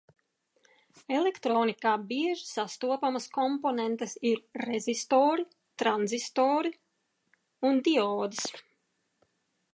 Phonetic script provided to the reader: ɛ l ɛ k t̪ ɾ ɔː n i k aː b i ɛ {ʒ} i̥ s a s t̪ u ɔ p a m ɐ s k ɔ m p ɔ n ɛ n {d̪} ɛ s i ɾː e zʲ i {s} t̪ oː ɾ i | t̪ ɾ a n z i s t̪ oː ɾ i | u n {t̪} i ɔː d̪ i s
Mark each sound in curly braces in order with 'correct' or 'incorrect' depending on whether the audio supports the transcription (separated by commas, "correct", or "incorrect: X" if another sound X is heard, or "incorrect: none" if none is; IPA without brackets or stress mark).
correct, incorrect: t̪, correct, incorrect: d̪